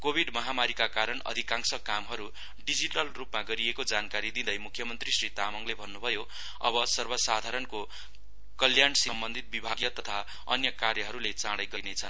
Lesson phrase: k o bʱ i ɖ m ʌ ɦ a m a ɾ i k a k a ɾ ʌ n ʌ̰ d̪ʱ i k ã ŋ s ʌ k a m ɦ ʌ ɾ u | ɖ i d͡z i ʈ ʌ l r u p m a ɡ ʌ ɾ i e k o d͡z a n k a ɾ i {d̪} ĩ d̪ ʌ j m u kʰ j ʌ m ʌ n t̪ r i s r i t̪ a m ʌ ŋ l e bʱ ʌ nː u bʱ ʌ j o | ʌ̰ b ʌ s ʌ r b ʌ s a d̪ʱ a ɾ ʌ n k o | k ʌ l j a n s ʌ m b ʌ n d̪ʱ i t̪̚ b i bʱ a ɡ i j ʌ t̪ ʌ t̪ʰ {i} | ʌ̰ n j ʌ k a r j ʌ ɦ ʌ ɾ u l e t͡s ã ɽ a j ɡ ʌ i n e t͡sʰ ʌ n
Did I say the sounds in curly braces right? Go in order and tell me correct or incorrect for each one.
correct, incorrect

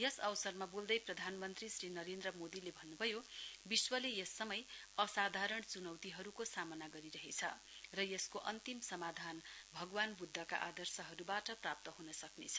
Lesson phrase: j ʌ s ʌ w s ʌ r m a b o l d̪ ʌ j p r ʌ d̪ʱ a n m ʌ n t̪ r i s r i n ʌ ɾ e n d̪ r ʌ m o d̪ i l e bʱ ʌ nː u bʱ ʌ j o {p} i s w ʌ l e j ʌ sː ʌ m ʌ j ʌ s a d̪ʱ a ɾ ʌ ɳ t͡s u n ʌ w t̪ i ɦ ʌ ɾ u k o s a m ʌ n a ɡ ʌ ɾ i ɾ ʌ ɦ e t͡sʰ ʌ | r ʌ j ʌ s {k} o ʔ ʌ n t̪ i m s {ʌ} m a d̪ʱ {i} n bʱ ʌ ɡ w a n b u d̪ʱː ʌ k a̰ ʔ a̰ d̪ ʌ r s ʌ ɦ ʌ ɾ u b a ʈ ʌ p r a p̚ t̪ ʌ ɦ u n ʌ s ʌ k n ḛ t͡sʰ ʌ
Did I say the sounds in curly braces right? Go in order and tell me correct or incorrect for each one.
incorrect, correct, correct, incorrect

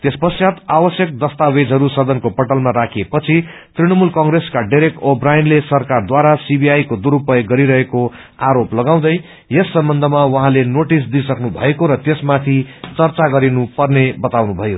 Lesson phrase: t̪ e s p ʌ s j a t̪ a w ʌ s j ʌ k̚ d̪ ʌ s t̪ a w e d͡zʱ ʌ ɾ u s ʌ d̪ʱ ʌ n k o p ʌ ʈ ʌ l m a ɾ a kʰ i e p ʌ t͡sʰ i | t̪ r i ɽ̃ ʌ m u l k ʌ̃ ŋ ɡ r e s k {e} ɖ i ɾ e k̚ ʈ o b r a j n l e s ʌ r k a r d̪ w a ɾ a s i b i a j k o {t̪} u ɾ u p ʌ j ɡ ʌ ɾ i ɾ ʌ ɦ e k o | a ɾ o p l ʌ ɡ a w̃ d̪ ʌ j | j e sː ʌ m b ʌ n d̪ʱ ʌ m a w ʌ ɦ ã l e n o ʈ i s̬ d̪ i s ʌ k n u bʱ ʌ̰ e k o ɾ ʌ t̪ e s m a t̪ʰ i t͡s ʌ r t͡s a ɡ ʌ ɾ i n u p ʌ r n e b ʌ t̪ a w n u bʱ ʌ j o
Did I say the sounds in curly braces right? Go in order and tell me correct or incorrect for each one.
incorrect, incorrect

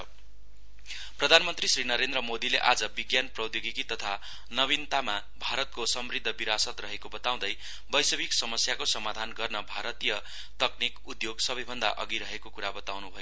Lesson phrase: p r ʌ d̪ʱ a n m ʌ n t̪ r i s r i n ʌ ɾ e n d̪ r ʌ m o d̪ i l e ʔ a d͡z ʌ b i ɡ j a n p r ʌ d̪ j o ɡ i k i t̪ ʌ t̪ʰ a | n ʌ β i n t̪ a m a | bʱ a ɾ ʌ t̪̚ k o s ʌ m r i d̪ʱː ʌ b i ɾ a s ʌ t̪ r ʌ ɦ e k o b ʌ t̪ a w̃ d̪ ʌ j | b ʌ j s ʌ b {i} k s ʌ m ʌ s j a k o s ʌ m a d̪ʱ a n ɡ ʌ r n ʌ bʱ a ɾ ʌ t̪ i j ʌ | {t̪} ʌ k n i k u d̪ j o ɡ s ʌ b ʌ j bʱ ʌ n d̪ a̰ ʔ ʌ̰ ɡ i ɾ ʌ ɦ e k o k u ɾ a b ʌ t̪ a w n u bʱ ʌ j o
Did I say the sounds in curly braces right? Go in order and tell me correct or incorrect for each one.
correct, correct

